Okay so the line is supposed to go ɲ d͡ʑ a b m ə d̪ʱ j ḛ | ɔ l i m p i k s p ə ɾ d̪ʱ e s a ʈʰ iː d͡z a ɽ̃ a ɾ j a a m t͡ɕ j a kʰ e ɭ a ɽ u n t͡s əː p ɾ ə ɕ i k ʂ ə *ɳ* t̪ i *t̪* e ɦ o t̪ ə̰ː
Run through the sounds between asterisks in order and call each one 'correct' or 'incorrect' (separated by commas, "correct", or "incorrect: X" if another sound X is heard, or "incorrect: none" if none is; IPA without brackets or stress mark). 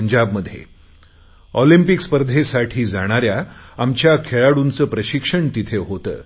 correct, incorrect: t̪ʰ